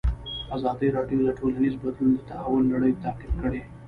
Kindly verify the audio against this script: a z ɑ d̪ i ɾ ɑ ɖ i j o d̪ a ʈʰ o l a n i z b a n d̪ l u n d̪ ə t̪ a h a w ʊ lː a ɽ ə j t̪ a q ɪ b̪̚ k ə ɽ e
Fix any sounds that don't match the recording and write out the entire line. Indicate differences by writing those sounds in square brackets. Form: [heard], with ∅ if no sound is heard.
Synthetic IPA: a z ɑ d̪ i ɾ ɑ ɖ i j o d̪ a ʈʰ o l a n i z b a [∅] d̪ l u n d̪ ə t̪ a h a w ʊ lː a ɽ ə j t̪ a q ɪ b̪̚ k ə ɽ e